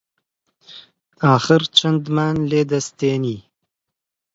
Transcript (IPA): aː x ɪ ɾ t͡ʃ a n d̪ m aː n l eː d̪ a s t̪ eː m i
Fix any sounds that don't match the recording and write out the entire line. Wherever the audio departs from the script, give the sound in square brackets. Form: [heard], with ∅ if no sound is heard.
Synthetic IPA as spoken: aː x ɪ ɾ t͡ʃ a n d̪ m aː n l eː d̪ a s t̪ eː [n] i